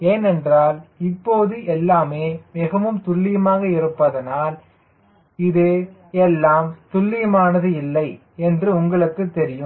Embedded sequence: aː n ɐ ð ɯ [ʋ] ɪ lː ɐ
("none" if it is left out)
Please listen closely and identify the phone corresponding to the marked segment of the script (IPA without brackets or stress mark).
none